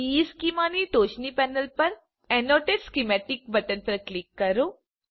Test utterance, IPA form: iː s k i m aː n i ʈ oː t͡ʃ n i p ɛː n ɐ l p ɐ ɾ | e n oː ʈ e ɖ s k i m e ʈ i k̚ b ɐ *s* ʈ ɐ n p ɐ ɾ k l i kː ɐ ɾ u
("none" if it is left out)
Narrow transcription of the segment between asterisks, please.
none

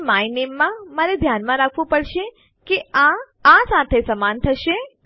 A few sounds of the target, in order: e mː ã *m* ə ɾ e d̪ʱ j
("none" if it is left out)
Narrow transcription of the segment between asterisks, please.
m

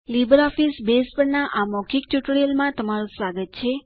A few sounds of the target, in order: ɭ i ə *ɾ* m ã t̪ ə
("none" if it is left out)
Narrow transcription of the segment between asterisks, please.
l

